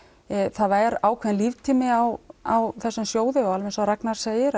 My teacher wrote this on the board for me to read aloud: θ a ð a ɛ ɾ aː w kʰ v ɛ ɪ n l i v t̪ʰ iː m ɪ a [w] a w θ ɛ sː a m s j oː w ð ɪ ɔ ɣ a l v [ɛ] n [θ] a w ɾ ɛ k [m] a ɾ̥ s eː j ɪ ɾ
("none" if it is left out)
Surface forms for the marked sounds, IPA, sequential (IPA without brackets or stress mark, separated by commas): w, ɛ, s, n